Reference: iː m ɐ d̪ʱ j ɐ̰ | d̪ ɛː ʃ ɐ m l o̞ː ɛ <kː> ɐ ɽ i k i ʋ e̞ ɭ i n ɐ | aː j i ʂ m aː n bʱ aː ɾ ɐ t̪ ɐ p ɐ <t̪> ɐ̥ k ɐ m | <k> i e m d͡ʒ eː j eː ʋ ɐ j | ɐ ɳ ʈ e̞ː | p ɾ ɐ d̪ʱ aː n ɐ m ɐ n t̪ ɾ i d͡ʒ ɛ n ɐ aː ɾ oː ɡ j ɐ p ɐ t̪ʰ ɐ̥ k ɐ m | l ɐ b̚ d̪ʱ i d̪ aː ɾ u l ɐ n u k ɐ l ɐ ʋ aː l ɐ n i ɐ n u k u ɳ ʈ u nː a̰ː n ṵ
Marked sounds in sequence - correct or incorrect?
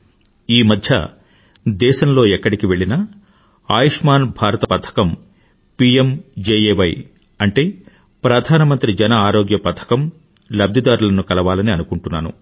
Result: correct, incorrect: t̪ʰ, incorrect: p

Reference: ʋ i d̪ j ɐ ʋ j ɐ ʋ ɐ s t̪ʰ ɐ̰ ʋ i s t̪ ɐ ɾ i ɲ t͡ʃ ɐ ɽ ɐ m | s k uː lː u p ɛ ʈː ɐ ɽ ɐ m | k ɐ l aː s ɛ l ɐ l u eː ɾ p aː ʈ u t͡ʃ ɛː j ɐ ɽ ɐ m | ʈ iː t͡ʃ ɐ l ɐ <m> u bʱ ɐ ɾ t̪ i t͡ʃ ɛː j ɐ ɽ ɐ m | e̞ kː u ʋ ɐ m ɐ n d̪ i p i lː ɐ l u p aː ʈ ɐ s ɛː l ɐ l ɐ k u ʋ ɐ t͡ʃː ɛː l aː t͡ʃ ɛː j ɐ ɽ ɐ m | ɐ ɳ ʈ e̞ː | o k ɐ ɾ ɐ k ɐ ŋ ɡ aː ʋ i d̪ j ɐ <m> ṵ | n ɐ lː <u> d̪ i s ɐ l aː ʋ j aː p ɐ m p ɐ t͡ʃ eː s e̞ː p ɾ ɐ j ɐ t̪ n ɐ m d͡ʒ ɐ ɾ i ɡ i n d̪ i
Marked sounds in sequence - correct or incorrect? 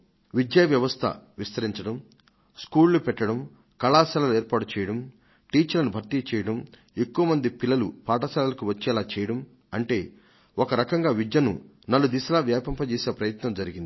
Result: incorrect: n, incorrect: n, correct

